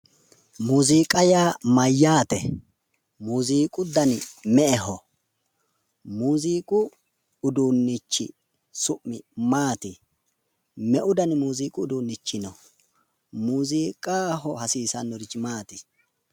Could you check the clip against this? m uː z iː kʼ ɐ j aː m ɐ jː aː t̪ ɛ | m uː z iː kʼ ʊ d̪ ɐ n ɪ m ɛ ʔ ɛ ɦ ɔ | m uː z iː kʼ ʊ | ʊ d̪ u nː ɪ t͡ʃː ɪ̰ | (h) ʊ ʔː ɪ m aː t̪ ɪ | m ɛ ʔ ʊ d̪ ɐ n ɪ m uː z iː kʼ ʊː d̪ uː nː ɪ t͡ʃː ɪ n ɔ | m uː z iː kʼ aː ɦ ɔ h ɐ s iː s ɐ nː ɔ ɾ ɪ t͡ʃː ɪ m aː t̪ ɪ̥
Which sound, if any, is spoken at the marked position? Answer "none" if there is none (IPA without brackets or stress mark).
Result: s